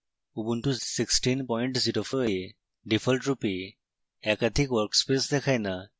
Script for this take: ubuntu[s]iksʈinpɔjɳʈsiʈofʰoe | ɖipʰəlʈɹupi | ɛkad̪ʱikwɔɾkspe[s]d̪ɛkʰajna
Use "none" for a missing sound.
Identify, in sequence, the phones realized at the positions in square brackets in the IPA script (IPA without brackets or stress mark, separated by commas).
s, s